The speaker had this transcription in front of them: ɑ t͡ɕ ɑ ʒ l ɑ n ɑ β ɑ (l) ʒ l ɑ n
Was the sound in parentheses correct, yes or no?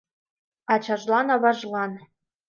no